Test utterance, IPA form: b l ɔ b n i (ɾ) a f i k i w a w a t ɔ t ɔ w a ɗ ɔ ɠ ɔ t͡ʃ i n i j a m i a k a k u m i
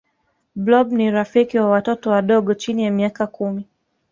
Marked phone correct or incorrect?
correct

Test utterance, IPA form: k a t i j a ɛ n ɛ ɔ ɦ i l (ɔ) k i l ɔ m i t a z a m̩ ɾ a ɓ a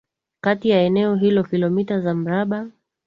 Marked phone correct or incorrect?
correct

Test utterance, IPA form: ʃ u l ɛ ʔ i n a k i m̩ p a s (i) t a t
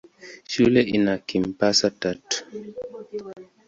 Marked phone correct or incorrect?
incorrect: a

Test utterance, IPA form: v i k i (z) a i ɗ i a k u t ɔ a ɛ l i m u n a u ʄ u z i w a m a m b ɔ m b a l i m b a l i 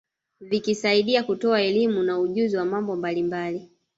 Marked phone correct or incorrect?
incorrect: s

